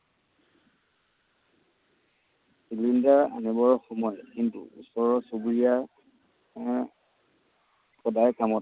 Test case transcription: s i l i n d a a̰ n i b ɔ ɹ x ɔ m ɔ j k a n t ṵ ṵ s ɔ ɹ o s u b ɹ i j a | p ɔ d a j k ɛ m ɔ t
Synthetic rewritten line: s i l i n d a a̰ n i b ɔ ɹ x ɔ m ɔ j k i n t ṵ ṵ s ɔ ɹ ɔ s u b ɹ i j a | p ɔ d a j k a m ɔ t